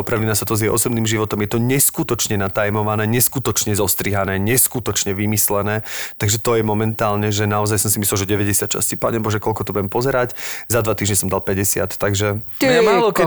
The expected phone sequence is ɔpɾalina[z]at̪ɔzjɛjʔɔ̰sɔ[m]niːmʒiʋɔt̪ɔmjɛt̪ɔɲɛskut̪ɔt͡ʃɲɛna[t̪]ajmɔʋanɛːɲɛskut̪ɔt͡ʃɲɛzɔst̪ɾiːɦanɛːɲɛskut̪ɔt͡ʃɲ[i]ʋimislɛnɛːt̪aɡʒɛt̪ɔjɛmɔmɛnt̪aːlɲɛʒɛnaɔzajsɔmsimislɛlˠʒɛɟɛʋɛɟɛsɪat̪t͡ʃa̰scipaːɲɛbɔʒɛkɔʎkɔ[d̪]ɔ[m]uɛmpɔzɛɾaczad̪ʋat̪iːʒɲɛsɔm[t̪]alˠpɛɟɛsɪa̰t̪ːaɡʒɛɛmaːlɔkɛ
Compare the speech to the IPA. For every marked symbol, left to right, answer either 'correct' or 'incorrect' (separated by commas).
incorrect, incorrect, correct, incorrect, incorrect, incorrect, incorrect